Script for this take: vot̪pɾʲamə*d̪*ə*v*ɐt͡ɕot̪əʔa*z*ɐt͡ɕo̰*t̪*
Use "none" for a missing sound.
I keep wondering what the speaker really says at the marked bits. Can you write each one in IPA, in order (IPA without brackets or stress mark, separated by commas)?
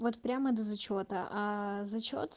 d̪, z, z, t̪